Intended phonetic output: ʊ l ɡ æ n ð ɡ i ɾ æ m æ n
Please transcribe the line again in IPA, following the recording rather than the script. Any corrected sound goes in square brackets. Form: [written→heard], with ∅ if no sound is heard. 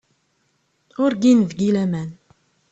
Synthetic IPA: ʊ [l→ɾ] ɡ [æ→i] n [ð→v] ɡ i [ɾ→l] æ m æ n